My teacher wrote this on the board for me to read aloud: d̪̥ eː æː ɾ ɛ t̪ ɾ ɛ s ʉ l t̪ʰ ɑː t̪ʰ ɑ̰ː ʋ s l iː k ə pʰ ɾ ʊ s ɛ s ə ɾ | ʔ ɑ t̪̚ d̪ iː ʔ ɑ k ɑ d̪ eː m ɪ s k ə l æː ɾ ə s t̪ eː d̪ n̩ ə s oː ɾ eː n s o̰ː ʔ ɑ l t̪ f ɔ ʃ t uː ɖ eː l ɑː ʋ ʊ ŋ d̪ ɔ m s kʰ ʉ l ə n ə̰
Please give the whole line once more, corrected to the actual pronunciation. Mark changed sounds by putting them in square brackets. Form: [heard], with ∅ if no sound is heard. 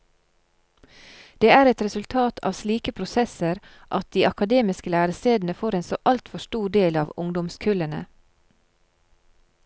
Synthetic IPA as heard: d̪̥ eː æː ɾ ɛ t̪ ɾ ɛ s ʉ l t̪ʰ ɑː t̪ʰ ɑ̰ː ʋ s l iː k ə pʰ ɾ ʊ s ɛ s ə ɾ | ʔ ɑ t̪̚ d̪ iː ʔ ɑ k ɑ d̪ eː m ɪ s k ə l æː ɾ ə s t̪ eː d̪ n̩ ə [f] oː ɾ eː n s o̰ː ʔ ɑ l t̪ f ɔ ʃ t uː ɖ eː l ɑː ʋ ʊ ŋ d̪ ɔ m s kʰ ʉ l ə n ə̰